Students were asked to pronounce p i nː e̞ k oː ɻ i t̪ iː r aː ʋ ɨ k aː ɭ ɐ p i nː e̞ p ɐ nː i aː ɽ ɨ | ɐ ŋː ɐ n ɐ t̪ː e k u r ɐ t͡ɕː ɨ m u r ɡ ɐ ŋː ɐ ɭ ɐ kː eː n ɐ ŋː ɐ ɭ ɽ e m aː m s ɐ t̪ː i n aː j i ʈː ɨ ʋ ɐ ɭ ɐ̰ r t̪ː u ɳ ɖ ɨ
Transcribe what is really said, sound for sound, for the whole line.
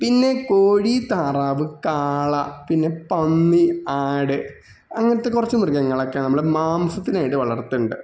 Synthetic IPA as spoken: p i nː e̞ k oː ɻ i t̪ aː r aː ʋ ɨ k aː ɭ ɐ p i nː e̞ p ɐ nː i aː ɽ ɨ | ɐ ŋː ɐ n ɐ t̪ː e k u r ɐ t͡ɕː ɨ m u r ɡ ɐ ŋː ɐ ɭ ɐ kː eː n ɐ mː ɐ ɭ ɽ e m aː m s ɐ t̪ː i n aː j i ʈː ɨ ʋ ɐ ɭ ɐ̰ r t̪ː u ɳ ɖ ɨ

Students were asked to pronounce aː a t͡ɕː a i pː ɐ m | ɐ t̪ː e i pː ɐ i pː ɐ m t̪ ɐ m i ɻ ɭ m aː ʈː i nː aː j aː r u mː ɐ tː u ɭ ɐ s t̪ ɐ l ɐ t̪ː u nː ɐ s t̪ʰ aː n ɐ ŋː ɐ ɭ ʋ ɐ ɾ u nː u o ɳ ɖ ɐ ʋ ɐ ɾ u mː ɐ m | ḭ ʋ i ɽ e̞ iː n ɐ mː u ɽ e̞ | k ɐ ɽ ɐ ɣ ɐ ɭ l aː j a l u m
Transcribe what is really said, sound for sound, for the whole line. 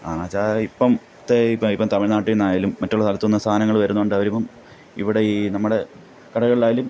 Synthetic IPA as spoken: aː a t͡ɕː a i pː ɐ m | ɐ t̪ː e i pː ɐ i pː ɐ m t̪ ɐ m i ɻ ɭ n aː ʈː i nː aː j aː l u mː ɐ tː u ɭ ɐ s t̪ ɐ l ɐ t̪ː u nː ɐ s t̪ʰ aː n ɐ ŋː ɐ ɭ ʋ ɐ ɾ u nː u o ɳ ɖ ɐ ʋ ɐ ɾ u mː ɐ m | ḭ ʋ i ɽ e̞ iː n ɐ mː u ɽ e̞ | k ɐ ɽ ɐ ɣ ɐ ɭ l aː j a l u m

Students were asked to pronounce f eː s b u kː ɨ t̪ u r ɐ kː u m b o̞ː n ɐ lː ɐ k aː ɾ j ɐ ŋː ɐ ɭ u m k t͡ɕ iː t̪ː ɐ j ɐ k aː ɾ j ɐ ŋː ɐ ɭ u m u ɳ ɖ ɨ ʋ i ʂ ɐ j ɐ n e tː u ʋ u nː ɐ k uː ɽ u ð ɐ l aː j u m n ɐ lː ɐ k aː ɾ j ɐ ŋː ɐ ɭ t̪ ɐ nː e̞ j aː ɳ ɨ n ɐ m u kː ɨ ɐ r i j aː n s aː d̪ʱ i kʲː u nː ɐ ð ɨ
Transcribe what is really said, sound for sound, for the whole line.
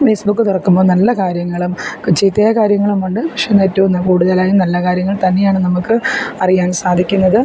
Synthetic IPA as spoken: f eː s b u kː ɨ t̪ u r ɐ kː u m b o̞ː n ɐ lː ɐ k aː ɾ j ɐ ŋː ɐ ɭ u m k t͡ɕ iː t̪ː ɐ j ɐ k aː ɾ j ɐ ŋː ɐ ɭ u m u ɳ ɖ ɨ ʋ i ʂ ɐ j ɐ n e tː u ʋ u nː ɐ k uː ɽ u ð ɐ l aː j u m n ɐ lː ɐ k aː ɾ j ɐ ŋː ɐ ɭ t̪ ɐ nː e̞ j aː ɳ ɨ n ɐ m u kː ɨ ɐ r i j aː n s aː d̪ʱ i kʲː u nː ɐ ð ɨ

